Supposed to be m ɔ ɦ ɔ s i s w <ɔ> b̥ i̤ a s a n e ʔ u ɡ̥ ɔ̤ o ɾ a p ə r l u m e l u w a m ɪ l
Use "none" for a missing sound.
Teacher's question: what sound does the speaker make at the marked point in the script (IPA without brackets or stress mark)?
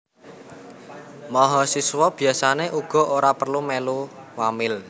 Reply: ɔ